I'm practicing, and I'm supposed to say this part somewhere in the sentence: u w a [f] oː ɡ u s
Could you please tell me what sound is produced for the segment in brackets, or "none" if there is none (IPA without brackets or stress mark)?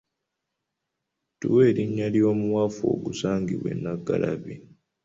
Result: f